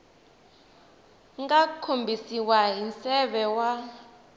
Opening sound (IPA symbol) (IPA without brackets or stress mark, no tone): ŋ